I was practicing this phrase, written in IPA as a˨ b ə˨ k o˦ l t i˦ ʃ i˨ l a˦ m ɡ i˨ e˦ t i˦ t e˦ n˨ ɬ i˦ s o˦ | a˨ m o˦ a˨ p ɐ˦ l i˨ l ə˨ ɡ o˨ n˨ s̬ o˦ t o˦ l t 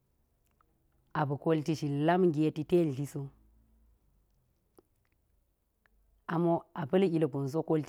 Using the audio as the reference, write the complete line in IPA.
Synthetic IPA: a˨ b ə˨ k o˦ l t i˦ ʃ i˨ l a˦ m ɡ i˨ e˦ t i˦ t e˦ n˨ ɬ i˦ s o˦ | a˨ m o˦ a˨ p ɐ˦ l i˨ l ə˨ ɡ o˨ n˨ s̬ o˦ k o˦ l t